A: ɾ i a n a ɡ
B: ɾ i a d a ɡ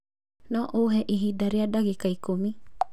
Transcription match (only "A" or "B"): B